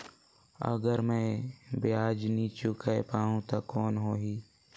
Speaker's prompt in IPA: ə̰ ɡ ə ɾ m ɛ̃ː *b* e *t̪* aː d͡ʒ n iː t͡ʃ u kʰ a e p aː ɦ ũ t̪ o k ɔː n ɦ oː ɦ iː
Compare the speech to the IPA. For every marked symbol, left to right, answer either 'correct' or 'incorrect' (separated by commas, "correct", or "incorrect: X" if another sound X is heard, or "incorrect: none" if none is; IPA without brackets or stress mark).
correct, incorrect: none